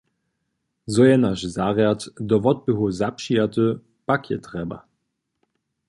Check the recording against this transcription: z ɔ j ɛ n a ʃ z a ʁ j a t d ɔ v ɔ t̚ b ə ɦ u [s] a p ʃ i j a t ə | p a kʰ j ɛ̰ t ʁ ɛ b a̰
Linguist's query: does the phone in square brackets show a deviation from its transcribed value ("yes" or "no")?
yes